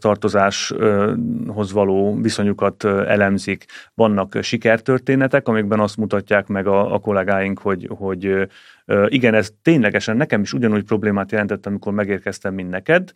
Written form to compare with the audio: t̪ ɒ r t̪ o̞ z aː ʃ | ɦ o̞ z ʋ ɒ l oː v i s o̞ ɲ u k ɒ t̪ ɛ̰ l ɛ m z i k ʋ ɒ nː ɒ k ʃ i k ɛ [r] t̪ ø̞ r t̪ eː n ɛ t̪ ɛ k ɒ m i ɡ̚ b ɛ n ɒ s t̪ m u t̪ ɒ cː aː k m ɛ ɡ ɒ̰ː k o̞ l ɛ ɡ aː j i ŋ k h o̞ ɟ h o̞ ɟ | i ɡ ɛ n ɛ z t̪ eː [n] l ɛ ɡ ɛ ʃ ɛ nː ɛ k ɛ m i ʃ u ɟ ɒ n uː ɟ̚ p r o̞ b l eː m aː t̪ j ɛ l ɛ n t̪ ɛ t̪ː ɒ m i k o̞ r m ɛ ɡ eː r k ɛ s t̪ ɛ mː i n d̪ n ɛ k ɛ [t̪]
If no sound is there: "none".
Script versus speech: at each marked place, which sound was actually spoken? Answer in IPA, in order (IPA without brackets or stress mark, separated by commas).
r, ɲ, d̪